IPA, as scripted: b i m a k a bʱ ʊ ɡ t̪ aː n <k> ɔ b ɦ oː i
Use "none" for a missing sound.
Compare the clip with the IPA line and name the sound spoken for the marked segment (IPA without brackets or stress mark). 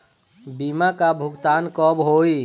k